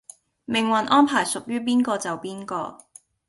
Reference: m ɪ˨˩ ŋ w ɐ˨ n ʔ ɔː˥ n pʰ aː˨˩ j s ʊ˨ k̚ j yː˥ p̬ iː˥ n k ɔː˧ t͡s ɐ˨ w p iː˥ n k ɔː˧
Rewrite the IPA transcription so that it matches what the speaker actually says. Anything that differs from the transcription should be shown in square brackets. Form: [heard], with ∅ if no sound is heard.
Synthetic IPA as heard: m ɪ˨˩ ŋ w ɐ˨ n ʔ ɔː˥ n pʰ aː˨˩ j s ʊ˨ k̚ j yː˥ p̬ iː˥ n k ɔː˧ t͡s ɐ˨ w p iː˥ n k ɔː˧